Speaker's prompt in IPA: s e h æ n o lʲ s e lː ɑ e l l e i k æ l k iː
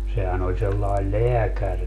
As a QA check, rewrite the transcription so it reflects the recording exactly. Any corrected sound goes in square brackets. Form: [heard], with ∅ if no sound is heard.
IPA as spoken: s e h æ n o lʲ s e lː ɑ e l l e [æ] k æ [r] k [i]